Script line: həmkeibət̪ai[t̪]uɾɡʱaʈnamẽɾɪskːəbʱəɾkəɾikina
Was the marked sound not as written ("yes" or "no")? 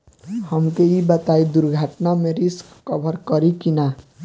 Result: yes